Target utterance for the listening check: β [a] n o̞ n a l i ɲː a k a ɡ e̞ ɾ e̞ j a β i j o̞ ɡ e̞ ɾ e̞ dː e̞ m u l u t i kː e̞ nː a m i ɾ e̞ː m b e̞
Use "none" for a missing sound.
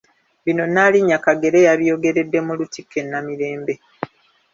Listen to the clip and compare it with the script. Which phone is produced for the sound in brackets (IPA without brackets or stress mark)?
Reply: i